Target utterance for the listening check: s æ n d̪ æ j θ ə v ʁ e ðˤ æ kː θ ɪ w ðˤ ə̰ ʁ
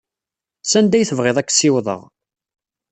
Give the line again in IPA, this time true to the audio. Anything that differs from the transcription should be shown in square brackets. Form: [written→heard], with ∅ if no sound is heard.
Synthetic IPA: s æ n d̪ æ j θ ə v ʁ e ðˤ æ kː [θ→s] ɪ w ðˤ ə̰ ʁ